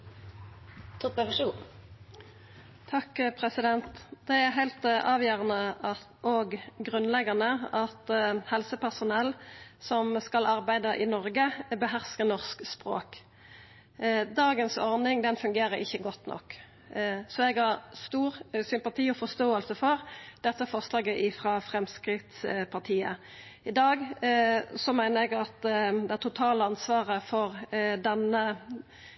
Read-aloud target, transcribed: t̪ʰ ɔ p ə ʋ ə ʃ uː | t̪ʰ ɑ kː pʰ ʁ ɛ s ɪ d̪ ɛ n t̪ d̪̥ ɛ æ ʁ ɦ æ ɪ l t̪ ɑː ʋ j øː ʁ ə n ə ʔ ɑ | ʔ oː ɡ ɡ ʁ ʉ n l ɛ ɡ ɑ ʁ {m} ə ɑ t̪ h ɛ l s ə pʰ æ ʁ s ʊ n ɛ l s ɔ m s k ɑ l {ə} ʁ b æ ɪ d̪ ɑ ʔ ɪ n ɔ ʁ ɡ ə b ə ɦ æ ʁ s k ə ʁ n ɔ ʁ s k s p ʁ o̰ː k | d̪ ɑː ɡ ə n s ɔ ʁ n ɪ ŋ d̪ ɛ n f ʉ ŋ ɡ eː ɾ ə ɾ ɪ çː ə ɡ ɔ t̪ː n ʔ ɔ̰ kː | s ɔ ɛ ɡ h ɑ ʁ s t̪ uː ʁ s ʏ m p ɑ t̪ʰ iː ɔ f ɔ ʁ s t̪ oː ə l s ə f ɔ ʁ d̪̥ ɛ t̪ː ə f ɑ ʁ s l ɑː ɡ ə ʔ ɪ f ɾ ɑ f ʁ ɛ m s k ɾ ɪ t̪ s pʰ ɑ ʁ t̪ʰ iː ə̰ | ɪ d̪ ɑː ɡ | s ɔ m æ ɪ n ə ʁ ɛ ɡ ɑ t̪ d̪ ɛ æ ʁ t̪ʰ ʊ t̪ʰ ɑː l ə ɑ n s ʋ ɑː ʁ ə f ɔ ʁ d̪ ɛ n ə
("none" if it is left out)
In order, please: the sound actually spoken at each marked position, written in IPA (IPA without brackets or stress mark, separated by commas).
n, ɑ